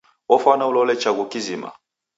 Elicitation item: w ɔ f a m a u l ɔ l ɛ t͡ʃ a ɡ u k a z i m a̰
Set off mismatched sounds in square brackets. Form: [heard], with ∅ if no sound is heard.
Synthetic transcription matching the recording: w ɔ f a [n] a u l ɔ l ɛ t͡ʃ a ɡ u k [i] z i m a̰

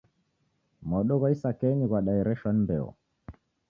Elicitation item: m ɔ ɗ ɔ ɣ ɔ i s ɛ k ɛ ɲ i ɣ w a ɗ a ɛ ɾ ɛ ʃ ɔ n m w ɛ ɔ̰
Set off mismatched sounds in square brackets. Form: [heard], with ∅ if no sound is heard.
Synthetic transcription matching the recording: m ɔ ɗ ɔ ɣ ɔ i s [a] k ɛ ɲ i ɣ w a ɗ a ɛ ɾ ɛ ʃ ɔ n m [b] ɛ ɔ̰

